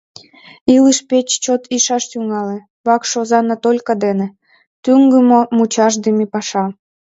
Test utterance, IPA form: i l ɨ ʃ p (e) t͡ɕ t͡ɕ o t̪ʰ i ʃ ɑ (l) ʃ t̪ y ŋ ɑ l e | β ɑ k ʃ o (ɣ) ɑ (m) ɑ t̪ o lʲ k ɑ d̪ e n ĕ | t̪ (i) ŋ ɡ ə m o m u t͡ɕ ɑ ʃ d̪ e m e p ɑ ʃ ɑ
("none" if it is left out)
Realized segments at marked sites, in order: e, none, z, n, y

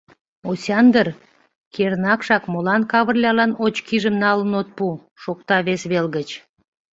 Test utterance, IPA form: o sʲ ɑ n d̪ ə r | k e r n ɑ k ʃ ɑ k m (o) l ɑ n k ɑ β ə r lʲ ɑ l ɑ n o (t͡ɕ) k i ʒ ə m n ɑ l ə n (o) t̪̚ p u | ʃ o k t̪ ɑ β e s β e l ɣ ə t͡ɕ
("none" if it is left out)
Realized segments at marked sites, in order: o, t͡ɕ, o

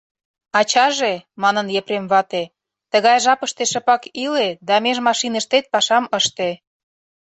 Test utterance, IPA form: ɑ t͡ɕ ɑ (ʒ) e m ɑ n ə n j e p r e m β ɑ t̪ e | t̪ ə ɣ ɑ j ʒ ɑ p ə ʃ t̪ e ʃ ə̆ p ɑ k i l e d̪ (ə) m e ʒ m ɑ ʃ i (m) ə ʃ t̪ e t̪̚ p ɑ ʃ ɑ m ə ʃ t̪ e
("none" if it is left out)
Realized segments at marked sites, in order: ʒ, ɑ, n

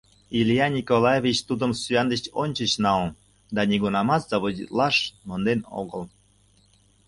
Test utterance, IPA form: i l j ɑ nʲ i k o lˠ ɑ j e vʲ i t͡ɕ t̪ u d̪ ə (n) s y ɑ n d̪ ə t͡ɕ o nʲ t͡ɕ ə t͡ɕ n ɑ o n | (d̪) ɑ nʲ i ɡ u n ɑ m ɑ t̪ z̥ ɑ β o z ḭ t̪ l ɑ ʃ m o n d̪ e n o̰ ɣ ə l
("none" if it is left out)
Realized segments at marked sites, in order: m, d̪

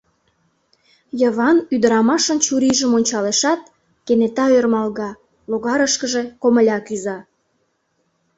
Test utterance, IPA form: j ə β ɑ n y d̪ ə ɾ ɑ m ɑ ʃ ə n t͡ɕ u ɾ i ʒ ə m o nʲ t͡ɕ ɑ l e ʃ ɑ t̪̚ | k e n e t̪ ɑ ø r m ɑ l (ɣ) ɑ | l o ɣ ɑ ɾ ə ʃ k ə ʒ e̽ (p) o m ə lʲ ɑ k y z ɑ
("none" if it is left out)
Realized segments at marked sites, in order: ɣ, k

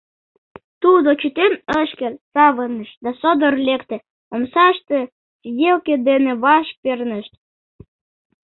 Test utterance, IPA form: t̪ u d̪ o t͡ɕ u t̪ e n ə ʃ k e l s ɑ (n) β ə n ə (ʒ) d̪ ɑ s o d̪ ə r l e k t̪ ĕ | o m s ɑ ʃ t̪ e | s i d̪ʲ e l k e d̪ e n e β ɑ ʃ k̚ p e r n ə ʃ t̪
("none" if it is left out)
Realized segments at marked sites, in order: none, ʃ

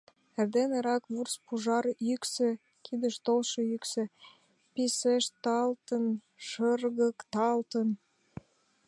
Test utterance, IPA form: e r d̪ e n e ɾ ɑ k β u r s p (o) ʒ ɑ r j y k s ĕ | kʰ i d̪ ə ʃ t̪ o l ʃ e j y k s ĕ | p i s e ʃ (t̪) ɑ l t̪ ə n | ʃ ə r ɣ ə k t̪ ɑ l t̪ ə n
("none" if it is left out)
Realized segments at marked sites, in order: u, t̪

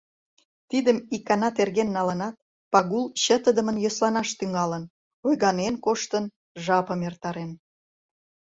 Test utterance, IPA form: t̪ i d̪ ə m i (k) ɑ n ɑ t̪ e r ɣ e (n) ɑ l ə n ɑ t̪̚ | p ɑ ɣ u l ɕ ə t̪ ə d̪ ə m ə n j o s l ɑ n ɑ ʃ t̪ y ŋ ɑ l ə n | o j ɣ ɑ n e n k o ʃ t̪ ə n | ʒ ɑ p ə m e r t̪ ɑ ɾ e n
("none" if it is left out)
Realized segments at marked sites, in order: k, nː

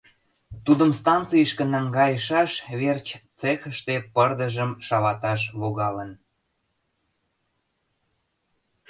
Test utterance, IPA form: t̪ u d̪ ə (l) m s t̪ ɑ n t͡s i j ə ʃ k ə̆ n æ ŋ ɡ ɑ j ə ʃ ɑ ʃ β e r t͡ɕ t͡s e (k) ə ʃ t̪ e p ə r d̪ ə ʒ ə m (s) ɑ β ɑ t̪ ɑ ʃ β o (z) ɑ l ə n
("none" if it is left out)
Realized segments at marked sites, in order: none, x, ʃ, ɣ

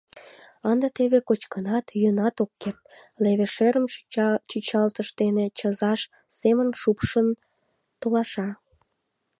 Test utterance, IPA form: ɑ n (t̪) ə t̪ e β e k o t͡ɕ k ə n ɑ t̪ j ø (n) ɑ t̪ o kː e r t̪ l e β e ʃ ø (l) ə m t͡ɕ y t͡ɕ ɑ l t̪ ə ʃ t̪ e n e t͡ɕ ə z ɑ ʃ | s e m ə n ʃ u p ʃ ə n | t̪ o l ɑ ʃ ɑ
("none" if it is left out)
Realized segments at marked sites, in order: d̪, n, ɾ

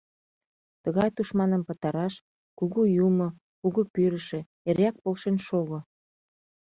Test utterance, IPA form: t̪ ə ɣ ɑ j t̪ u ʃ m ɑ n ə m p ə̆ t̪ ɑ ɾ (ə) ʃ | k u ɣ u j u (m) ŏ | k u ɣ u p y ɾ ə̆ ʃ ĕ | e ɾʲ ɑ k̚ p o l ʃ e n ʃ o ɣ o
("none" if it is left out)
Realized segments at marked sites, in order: ɑ, m

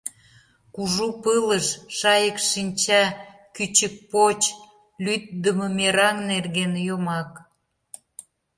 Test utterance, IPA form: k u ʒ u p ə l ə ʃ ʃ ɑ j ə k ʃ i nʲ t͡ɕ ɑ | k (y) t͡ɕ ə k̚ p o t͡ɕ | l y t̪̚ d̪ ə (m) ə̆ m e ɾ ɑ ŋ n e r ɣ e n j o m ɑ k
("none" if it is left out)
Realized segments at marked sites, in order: y, m

